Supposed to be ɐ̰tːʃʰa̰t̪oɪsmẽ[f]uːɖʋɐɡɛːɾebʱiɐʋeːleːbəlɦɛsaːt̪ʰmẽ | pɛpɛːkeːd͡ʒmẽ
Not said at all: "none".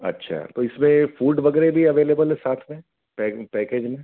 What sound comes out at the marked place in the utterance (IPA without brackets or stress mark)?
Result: f